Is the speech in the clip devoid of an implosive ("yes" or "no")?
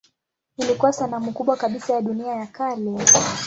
no